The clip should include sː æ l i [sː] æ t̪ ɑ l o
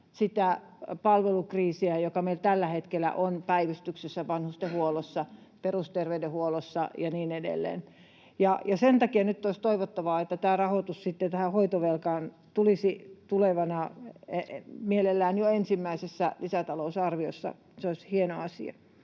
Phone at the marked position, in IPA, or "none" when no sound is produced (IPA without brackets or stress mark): s